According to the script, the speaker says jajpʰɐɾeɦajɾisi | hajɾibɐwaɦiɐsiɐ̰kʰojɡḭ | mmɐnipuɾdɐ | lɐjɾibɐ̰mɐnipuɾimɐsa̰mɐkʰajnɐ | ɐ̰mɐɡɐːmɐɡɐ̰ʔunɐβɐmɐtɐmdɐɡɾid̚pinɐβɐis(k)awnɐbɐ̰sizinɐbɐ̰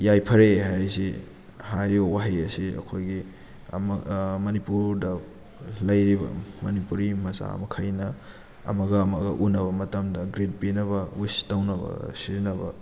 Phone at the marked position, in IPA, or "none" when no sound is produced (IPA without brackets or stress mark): t